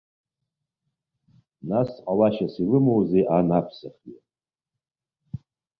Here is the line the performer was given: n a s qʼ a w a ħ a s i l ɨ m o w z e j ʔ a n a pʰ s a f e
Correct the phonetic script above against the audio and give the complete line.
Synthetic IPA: n a s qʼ a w a ʃ a s i l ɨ m o w z e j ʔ a n a pʰ s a χ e